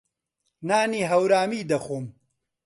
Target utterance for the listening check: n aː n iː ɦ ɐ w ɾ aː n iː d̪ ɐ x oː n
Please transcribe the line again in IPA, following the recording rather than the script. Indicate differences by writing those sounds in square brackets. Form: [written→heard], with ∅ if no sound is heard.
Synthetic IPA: n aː n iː ɦ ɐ w ɾ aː [n→m] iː d̪ ɐ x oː [n→m]